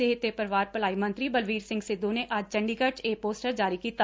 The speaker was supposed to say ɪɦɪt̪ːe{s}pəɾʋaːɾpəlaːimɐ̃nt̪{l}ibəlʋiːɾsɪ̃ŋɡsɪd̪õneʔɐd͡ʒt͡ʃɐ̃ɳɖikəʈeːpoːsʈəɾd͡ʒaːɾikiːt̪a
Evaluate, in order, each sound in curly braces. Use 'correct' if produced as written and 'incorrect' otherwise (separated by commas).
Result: incorrect, incorrect